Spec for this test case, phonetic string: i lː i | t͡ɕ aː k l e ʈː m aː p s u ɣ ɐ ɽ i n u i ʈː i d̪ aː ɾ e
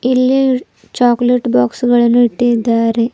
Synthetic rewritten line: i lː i | t͡ɕ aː k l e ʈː b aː k s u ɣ ɐ ɭ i n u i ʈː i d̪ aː ɾ e